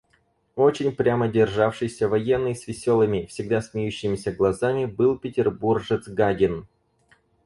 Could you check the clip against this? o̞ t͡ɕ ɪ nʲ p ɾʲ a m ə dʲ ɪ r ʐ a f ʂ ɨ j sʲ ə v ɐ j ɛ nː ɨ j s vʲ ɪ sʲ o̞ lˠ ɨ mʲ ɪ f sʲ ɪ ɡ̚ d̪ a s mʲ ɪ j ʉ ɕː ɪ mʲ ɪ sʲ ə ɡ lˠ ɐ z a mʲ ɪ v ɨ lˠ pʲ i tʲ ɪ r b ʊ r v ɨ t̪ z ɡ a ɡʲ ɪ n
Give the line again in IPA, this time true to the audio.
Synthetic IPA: o̞ t͡ɕ ɪ nʲ p ɾʲ a m ə dʲ ɪ r ʐ a f ʂ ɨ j sʲ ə v ɐ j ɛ nː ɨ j s vʲ ɪ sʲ o̞ lˠ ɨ mʲ ɪ f sʲ ɪ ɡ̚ d̪ a s mʲ ɪ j ʉ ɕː ɪ mʲ ɪ sʲ ə ɡ lˠ ɐ z a mʲ ɪ b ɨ lˠ pʲ ɪ tʲ ɪ r b u r ʐ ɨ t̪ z ɡ a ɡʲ ɪ n